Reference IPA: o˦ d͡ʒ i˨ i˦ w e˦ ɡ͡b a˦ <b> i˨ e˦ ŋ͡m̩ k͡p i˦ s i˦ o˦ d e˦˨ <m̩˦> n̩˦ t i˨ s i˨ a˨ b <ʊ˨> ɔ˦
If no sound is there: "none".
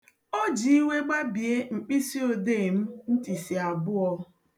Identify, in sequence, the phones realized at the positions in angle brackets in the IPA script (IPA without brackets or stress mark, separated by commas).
b, m̩˦, ʊ˦